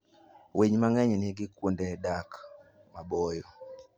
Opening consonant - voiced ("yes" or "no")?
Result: yes